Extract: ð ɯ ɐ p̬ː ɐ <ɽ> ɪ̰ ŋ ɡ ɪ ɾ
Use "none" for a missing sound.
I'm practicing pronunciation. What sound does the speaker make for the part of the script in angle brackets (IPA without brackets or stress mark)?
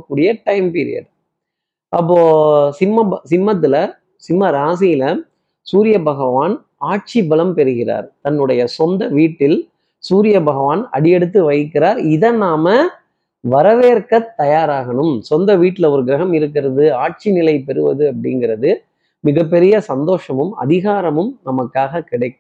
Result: ɽ